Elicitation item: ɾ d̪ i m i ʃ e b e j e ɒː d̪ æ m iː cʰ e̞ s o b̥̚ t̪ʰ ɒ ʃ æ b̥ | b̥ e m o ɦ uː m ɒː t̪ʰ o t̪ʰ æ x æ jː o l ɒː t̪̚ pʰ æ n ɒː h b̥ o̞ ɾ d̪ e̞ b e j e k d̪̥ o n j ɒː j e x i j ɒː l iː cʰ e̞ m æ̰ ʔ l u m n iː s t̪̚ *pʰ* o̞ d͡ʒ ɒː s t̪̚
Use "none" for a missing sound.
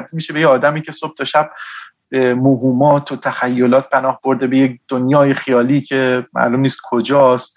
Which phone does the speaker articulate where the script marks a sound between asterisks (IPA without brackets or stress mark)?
kʰ